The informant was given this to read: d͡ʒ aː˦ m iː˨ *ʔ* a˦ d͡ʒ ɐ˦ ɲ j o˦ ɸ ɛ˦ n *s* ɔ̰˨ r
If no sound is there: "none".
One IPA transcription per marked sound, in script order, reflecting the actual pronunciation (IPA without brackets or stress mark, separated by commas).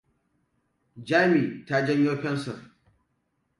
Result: t, s